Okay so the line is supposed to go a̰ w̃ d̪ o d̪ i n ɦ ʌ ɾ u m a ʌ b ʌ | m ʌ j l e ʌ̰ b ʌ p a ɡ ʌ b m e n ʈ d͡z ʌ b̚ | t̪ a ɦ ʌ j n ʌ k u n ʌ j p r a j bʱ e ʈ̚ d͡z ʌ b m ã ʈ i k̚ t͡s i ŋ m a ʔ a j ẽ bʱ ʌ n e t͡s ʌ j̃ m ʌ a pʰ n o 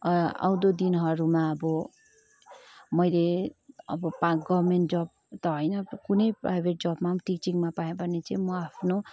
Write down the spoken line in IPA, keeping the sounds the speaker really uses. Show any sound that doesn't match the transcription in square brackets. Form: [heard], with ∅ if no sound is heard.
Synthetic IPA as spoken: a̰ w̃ d̪ o d̪ i n ɦ ʌ ɾ u m a ʌ b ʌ | m ʌ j l e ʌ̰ b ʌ p a ɡ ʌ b m e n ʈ d͡z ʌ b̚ | t̪ [ʌ] ɦ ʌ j n ʌ k u n ʌ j p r a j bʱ e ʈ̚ d͡z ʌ b m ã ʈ i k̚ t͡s i ŋ m a [p] a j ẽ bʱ ʌ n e t͡s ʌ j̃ m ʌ a pʰ n o